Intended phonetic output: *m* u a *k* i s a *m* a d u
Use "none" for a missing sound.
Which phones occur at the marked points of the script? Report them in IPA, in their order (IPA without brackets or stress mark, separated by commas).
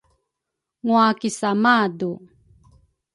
ŋ, k, m